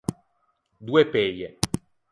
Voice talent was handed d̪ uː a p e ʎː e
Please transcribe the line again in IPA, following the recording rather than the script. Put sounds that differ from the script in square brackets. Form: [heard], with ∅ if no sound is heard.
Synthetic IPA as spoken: d̪ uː [e] p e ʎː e